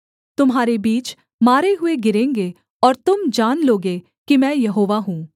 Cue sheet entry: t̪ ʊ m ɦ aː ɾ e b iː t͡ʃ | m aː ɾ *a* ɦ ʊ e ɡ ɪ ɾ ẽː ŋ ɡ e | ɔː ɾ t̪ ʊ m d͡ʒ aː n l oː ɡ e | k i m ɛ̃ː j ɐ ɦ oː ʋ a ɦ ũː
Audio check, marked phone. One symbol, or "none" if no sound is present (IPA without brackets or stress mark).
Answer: e